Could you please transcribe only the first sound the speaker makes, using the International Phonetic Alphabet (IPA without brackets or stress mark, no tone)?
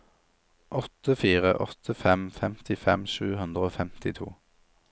ʔ